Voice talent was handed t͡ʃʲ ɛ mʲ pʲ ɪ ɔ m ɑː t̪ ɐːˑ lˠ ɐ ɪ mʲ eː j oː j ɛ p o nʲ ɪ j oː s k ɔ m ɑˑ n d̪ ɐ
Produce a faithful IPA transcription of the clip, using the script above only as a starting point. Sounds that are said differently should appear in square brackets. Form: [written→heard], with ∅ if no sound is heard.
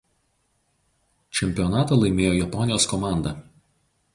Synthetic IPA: t͡ʃʲ ɛ mʲ pʲ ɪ ɔ [m→n] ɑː t̪ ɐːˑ lˠ ɐ ɪ mʲ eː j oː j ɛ p [o→ɔ] nʲ ɪ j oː s k ɔ m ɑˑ n d̪ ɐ